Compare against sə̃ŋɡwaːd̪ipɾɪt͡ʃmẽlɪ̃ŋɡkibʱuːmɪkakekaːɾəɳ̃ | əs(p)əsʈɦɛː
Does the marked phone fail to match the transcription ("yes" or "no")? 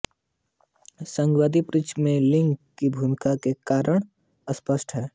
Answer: no